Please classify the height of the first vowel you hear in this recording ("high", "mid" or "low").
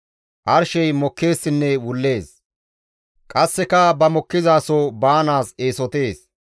low